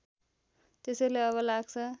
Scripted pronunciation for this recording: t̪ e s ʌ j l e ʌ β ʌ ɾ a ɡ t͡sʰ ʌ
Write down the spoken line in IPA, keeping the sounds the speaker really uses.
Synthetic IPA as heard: t̪ e s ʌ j l e ʌ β ʌ l a ɡ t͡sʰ ʌ